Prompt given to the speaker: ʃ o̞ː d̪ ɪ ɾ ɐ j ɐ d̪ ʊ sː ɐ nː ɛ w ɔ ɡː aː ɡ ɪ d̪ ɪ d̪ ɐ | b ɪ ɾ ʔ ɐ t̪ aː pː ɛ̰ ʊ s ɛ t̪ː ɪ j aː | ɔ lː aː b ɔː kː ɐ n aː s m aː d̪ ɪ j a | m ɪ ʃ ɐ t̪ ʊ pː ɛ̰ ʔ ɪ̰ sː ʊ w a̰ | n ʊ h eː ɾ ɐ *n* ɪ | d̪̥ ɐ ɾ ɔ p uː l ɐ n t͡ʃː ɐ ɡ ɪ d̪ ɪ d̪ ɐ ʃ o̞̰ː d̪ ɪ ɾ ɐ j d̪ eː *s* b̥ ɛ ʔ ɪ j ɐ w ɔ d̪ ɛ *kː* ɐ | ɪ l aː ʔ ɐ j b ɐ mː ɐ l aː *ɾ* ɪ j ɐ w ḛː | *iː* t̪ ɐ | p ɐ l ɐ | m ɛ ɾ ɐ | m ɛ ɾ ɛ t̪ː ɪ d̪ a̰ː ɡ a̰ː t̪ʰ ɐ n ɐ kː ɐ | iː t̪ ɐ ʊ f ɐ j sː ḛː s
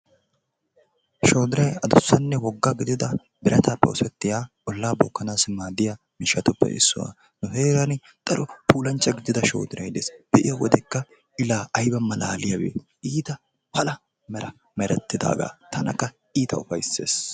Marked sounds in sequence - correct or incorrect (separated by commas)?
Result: correct, correct, correct, incorrect, correct